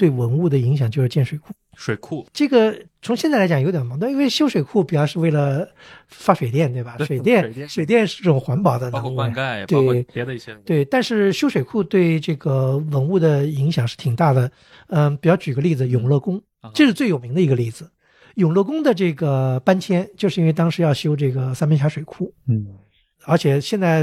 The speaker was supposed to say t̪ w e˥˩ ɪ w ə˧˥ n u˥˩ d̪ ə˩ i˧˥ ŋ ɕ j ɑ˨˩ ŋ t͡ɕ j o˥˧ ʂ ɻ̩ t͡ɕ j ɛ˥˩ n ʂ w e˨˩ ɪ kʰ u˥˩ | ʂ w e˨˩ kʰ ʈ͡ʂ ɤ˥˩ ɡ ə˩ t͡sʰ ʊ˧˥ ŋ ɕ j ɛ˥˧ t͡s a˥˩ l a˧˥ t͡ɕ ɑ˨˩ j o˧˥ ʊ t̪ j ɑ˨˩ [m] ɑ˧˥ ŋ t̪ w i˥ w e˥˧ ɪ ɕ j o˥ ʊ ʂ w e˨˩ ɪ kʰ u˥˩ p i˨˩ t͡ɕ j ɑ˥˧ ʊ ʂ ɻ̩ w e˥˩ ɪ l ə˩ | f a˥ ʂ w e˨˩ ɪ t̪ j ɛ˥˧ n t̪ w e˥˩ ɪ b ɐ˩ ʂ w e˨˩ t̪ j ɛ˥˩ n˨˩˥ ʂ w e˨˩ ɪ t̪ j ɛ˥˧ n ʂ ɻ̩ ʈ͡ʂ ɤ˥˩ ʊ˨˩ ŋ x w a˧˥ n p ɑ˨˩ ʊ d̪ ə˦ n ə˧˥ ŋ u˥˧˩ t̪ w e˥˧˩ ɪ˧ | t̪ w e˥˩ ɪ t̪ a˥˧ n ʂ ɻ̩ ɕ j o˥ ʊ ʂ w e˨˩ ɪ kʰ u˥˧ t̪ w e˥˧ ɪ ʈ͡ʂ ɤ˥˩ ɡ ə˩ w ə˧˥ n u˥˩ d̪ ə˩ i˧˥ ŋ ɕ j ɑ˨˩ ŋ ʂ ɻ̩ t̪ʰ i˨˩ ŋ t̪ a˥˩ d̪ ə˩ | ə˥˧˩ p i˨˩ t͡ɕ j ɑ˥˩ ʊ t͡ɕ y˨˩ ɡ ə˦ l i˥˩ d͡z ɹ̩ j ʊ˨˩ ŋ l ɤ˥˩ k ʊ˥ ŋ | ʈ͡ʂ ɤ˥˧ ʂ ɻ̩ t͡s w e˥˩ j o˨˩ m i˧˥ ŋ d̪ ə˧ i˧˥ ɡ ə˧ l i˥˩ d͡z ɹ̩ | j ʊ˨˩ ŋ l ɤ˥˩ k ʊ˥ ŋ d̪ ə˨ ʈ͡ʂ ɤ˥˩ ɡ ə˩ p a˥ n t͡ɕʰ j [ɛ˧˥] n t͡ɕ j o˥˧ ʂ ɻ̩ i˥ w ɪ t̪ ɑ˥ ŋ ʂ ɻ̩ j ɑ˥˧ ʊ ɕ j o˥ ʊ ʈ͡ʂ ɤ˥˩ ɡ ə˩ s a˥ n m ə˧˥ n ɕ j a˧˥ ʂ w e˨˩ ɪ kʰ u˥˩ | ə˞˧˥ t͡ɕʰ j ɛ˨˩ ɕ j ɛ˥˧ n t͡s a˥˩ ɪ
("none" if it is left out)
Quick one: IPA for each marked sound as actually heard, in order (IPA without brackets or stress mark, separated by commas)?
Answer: m, ɛ˥